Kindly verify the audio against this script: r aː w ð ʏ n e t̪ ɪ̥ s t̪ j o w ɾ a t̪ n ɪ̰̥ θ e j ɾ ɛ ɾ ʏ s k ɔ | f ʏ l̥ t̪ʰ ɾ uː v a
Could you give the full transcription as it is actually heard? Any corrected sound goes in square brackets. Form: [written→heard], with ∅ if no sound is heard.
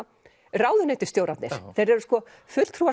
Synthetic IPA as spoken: r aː w ð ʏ n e t̪ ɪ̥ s t̪ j o w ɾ a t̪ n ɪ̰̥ θ e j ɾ ɛ ɾ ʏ s k ɔ | f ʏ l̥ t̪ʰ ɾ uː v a